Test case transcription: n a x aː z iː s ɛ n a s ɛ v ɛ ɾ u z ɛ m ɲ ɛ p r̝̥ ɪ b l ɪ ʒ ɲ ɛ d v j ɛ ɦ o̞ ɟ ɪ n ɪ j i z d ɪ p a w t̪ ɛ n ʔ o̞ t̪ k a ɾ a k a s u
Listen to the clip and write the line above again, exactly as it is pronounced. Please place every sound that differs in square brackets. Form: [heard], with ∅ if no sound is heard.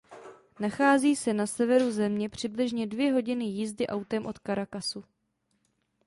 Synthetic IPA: n a x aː z iː s ɛ n a s ɛ v ɛ ɾ u z ɛ m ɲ ɛ p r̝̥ ɪ b l ɪ ʒ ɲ ɛ d v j ɛ ɦ o̞ ɟ ɪ n ɪ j i z d ɪ [ʔ] a w t̪ ɛ [m] ʔ o̞ t̪ k a ɾ a k a s u